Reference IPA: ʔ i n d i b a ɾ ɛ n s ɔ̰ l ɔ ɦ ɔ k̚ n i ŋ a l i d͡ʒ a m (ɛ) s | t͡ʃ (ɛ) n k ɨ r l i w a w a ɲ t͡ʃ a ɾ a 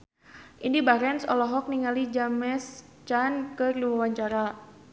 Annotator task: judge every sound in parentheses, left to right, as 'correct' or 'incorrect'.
correct, incorrect

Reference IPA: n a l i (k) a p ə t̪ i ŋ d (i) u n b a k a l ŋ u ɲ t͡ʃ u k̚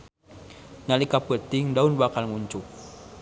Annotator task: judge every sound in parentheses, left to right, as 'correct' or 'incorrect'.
correct, incorrect

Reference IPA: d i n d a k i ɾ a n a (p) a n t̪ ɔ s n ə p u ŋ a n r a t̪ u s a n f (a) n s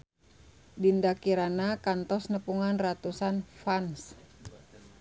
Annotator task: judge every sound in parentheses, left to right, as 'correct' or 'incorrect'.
incorrect, correct

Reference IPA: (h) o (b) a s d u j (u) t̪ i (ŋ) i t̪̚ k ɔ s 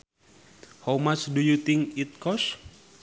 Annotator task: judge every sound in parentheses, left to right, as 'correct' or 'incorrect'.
correct, incorrect, correct, correct

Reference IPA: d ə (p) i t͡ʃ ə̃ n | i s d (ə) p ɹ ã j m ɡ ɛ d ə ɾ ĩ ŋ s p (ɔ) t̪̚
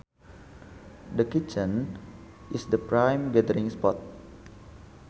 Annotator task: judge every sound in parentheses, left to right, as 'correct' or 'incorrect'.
incorrect, correct, correct

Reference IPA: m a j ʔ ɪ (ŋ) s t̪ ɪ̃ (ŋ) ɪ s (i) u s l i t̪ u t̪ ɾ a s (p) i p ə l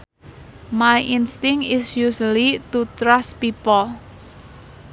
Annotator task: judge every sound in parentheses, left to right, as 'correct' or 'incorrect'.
incorrect, correct, incorrect, correct

